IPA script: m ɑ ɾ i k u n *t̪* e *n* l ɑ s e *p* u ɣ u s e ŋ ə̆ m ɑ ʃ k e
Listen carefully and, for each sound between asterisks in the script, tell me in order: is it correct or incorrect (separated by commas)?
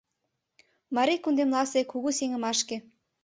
incorrect, incorrect, incorrect